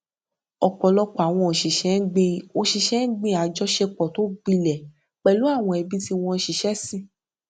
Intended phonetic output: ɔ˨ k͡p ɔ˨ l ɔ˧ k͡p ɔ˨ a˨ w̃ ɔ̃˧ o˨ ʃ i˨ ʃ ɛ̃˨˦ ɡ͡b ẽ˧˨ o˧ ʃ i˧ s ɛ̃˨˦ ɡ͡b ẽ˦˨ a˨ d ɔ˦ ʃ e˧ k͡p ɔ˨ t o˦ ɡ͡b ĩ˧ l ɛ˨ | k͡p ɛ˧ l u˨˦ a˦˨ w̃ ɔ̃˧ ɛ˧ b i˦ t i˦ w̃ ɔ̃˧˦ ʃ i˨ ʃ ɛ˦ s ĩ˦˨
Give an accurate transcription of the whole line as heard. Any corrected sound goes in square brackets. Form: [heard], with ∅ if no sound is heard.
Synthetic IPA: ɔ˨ k͡p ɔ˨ l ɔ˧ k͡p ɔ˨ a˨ w̃ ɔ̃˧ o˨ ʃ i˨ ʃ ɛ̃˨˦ ɡ͡b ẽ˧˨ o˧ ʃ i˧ [ʃ] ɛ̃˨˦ ɡ͡b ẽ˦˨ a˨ [d͡ʒ] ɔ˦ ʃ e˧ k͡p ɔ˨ t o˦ ɡ͡b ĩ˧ l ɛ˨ | k͡p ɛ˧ l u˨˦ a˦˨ w̃ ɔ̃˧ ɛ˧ b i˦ t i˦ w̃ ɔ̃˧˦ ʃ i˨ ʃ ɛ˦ s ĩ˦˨